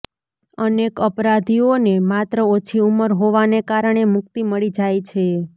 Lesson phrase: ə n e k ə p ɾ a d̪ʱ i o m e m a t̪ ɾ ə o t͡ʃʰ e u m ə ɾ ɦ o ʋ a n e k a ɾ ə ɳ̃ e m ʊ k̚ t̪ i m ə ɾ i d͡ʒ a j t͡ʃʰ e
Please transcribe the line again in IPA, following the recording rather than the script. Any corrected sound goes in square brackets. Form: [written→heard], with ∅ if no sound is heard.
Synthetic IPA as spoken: ə n e k ə p ɾ a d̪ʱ i o [m→n] e m a t̪ ɾ ə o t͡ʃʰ [e→i] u m ə ɾ ɦ o ʋ a n e k a ɾ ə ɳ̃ e m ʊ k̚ t̪ i m ə [ɾ→ɭ] i d͡ʒ a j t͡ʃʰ e

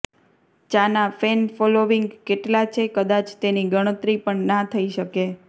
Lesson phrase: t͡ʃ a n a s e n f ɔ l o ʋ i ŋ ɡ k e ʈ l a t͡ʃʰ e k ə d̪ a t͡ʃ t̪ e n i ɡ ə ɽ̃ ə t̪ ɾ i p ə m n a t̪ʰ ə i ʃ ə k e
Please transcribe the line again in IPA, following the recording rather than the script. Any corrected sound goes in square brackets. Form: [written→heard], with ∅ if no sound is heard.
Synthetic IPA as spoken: t͡ʃ a n a [s→f] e n f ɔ l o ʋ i ŋ ɡ k e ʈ l a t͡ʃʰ e k ə d̪ a t͡ʃ t̪ e n i ɡ ə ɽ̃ ə t̪ ɾ i p ə [m→ɳ] n a t̪ʰ ə i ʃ ə k e

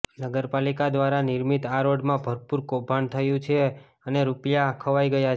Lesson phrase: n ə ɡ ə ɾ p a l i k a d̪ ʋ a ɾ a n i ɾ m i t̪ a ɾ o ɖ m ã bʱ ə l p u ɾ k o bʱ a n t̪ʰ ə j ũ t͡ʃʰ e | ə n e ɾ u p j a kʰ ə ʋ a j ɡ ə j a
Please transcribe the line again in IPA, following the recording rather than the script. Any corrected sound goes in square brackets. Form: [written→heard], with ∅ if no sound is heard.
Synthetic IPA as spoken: n ə ɡ ə ɾ p a l i k a d̪ ʋ a ɾ a n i ɾ m i t̪ a ɾ o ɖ m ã bʱ ə [l→ɾ] p u ɾ k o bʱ a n t̪ʰ ə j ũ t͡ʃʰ e | ə n e ɾ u p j a kʰ ə ʋ a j ɡ ə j a

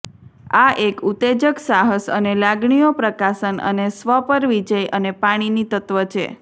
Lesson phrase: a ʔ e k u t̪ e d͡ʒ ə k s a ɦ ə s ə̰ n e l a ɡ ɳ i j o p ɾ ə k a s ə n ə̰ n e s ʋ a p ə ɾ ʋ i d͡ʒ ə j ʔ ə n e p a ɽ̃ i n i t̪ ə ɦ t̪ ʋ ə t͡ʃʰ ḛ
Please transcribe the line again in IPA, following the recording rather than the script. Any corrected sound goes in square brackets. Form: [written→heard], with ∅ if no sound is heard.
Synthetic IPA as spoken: a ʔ e k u t̪ e d͡ʒ ə k s a ɦ ə s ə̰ n e l a ɡ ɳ i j o p ɾ ə k a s ə n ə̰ n e s ʋ [a→ə] p ə ɾ ʋ i d͡ʒ ə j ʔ ə n e p a ɽ̃ i n i t̪ ə [ɦ→∅] t̪ ʋ ə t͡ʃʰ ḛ

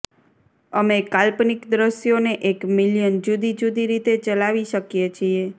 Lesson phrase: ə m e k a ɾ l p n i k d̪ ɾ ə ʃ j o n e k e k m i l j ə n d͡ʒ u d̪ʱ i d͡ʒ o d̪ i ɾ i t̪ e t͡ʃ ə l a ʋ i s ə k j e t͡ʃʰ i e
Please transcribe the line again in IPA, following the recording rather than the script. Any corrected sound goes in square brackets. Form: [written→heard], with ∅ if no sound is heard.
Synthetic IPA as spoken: ə m e k a [ɾ→∅] l p n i k d̪ ɾ ə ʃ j o n e [k→ʔ] e k m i l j ə n d͡ʒ u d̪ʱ i d͡ʒ [o→u] d̪ i ɾ i t̪ e t͡ʃ ə l a ʋ i [s→ʃ] ə k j e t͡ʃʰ i e

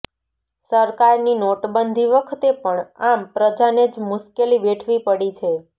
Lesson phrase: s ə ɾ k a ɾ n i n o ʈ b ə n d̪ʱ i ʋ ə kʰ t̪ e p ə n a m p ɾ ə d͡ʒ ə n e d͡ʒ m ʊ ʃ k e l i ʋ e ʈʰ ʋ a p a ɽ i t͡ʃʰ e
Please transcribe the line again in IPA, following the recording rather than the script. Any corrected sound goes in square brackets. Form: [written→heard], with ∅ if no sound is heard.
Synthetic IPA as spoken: s ə ɾ k a ɾ n i n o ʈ b ə n d̪ʱ i ʋ ə kʰ t̪ e p ə [n→ɳ] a m p ɾ ə d͡ʒ [ə→a] n e d͡ʒ m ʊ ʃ k e l i ʋ e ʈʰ ʋ [a→i] p [a→ə] ɽ i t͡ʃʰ e

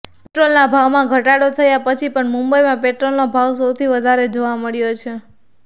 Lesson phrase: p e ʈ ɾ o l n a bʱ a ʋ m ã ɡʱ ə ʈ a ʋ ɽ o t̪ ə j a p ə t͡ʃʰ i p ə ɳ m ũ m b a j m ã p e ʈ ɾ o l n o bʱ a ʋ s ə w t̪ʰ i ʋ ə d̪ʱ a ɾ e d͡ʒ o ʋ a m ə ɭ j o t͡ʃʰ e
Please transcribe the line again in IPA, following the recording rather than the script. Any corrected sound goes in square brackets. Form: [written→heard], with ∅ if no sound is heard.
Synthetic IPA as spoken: p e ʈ ɾ o l n a bʱ a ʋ m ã ɡʱ ə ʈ a [ʋ→∅] ɽ o [t̪→t̪ʰ] ə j a p ə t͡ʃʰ i p ə ɳ m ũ m b [a→ə] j m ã p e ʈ ɾ o l n o bʱ a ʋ s ə w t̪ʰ i ʋ ə d̪ʱ a ɾ e d͡ʒ o ʋ a m ə ɭ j o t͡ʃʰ e

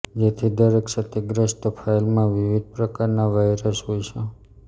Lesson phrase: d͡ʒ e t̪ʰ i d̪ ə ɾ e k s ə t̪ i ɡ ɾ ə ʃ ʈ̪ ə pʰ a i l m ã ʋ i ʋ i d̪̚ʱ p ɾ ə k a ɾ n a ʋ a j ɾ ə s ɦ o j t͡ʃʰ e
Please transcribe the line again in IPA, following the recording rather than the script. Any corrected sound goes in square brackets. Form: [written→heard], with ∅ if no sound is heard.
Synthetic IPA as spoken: d͡ʒ e t̪ʰ i d̪ ə ɾ e k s ə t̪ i ɡ ɾ ə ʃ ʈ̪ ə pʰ a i l m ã ʋ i ʋ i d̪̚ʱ p ɾ ə k a ɾ n a ʋ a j ɾ ə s ɦ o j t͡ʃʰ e

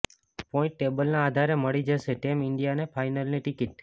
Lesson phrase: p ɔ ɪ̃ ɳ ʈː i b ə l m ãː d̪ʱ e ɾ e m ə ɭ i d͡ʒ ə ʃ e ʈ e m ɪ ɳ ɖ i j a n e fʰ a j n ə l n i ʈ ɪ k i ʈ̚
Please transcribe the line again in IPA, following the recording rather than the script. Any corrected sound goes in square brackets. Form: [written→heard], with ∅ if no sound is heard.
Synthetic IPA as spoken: p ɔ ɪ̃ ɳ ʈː [i→e] b ə l [m→n] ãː d̪ʱ [e→a] ɾ e m ə ɭ i d͡ʒ ə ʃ e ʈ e m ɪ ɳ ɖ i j a n e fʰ a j n ə l n i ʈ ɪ k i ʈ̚

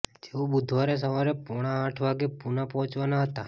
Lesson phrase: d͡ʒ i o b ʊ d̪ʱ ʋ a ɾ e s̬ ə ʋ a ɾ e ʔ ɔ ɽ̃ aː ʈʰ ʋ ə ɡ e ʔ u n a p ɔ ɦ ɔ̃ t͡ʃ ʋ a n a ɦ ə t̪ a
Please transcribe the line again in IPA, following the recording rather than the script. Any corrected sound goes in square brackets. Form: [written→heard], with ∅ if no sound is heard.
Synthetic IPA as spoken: d͡ʒ [i→e] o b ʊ d̪ʱ ʋ a ɾ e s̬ ə ʋ a ɾ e [ʔ→p] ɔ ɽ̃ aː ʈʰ ʋ [ə→a] ɡ e [ʔ→p] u n a p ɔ ɦ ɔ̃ t͡ʃ ʋ a n a ɦ ə t̪ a

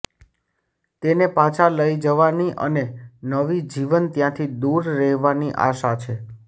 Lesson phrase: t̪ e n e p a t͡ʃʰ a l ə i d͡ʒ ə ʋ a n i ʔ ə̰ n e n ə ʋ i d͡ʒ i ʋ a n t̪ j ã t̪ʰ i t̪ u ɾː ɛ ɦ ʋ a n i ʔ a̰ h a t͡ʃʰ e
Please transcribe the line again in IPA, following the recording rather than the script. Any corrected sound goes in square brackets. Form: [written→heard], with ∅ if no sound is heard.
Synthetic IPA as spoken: t̪ e n e p a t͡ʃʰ a l ə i d͡ʒ ə ʋ a n i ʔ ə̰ n e n ə ʋ i d͡ʒ i ʋ [a→ə] n t̪ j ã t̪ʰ i [t̪→d̪] u ɾː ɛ ɦ ʋ a n i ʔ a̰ [h→ʃ] a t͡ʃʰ e

